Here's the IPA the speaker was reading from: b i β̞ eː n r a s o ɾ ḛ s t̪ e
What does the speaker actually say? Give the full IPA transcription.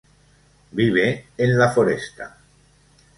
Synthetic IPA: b i β̞ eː n l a f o ɾ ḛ s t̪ a